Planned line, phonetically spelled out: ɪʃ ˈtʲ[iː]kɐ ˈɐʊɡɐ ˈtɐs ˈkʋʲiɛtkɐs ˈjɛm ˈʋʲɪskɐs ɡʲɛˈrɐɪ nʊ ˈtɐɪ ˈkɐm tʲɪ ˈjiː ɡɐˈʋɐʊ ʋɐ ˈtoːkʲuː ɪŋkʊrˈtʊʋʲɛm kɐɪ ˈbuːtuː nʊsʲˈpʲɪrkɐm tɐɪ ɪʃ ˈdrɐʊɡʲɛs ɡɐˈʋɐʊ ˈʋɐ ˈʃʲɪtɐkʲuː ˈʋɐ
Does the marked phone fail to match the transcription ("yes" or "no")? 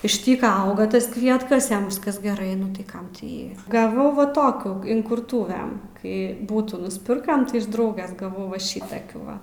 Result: no